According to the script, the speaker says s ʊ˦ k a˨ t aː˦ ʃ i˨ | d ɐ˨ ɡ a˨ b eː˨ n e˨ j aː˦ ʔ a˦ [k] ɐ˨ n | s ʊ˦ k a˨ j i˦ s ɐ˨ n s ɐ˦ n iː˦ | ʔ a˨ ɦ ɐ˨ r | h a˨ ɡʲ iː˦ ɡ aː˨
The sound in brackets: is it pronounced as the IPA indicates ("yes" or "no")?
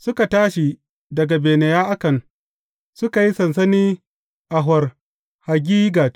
yes